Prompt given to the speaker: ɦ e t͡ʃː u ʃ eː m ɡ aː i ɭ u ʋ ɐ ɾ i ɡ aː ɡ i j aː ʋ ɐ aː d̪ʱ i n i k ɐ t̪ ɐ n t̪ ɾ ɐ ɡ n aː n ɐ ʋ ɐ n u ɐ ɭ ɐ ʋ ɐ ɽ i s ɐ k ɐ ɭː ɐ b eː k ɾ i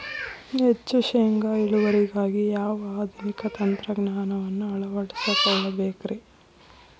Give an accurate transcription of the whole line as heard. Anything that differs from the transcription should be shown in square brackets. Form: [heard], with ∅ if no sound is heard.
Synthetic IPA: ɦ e t͡ʃː u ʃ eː [ŋ] ɡ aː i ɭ u ʋ ɐ ɾ i ɡ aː ɡ i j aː ʋ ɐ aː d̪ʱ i n i k ɐ t̪ ɐ n t̪ ɾ ɐ ɡ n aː n ɐ ʋ ɐ [nː] u ɐ ɭ ɐ ʋ ɐ ɽ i s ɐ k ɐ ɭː ɐ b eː k ɾ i